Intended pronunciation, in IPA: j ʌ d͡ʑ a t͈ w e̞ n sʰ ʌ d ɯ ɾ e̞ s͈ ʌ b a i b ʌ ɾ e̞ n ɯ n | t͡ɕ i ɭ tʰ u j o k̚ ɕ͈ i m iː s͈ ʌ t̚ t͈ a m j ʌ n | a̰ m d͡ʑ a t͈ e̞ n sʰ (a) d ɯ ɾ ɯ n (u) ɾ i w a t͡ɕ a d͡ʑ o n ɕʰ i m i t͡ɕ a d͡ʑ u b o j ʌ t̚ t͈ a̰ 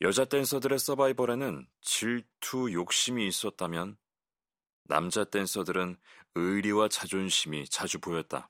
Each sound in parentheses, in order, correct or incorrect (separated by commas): incorrect, incorrect